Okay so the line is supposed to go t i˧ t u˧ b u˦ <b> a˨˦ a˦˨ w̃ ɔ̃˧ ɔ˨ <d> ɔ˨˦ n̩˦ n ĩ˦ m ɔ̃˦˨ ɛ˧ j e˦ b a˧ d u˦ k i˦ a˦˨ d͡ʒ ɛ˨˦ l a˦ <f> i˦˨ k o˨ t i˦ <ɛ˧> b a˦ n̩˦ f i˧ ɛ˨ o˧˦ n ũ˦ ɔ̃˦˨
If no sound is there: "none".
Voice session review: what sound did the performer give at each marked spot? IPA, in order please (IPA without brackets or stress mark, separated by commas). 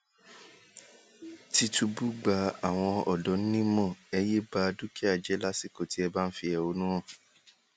ɡ͡b, d, s, ɛ˧